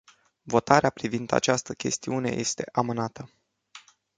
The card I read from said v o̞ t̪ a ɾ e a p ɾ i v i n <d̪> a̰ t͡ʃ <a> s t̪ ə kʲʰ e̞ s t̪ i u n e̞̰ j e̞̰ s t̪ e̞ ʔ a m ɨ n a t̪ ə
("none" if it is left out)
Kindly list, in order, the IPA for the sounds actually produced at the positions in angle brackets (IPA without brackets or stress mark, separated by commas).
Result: d̪, a